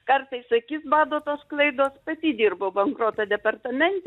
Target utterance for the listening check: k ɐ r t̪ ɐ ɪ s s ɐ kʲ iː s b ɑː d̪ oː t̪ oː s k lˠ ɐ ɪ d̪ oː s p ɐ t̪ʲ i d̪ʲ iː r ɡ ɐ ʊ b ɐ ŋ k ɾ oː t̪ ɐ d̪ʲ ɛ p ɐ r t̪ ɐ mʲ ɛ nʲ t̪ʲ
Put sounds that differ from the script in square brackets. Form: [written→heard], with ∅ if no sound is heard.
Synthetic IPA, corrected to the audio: k ɐ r t̪ ɐ ɪ s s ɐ kʲ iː s b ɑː d̪ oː t̪ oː s k lˠ ɐ ɪ d̪ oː s p ɐ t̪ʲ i d̪ʲ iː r [ɡ→b] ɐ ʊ b ɐ ŋ k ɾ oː t̪ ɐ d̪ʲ ɛ p ɐ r t̪ ɐ mʲ ɛ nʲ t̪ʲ